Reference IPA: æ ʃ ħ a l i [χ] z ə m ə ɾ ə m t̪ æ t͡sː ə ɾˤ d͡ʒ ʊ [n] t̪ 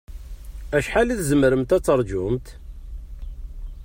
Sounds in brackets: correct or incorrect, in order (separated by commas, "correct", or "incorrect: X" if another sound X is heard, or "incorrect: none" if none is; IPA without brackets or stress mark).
incorrect: θ, incorrect: m